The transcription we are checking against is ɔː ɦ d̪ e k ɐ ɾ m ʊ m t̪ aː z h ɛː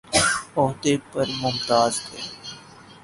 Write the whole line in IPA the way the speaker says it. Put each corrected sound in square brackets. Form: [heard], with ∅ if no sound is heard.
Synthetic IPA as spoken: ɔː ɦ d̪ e [p] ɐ ɾ m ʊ m t̪ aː z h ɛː

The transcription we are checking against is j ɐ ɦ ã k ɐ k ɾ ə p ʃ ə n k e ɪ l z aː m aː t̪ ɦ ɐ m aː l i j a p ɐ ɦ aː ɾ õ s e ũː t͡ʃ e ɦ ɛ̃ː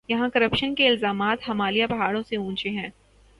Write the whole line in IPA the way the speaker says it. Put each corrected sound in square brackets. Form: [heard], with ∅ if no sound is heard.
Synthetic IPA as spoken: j ɐ ɦ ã k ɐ [∅] ɾ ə p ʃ ə n k e ɪ l z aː m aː t̪ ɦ ɐ m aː l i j a p ɐ ɦ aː [ɽ] õ s e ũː t͡ʃ e ɦ ɛ̃ː

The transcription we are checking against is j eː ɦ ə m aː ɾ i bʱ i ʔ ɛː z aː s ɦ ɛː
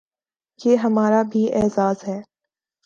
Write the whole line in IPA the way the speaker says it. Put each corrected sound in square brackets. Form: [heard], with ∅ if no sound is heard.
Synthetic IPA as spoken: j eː ɦ [ɐ] m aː ɾ [a] bʱ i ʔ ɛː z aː [z] ɦ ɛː

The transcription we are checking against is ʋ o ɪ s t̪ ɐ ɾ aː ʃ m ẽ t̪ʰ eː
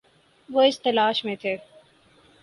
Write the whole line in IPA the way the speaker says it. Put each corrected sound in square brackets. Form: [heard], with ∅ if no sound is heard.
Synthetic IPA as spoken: ʋ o ɪ s t̪ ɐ [l] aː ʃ m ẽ t̪ʰ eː

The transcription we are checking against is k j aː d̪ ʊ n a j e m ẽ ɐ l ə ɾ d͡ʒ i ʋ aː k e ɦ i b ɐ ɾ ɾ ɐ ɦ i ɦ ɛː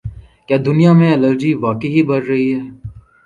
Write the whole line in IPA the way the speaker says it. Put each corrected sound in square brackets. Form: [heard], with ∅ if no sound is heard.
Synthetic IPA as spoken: k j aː d̪ ʊ n [i] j [a] m ẽ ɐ l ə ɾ d͡ʒ i ʋ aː k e ɦ i b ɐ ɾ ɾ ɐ ɦ i ɦ ɛː

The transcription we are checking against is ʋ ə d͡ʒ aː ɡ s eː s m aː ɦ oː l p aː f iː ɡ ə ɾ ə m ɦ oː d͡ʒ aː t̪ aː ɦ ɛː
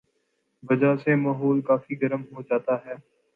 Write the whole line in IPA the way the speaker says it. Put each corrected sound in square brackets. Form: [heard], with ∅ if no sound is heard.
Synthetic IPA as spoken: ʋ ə d͡ʒ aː [∅] s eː [∅] m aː ɦ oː l [k] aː f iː ɡ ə ɾ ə m ɦ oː d͡ʒ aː t̪ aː ɦ ɛː

